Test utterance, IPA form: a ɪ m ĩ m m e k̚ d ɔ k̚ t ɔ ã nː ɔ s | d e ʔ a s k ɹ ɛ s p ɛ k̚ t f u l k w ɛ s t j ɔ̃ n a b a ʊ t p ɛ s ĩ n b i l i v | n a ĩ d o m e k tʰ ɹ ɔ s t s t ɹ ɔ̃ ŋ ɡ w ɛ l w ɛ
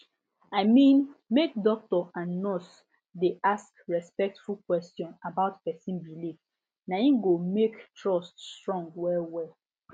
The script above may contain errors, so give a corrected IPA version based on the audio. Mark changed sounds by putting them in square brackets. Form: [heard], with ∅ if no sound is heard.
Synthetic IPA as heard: a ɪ m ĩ [n] m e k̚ d ɔ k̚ t ɔ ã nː ɔ s | d e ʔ a s k ɹ ɛ s p ɛ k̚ t f u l k w ɛ s t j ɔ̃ n a b a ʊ t p ɛ s ĩ n b i l i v | n a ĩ [ɡ] o m e k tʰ ɹ ɔ s t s t ɹ ɔ̃ ŋ ɡ w ɛ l w ɛ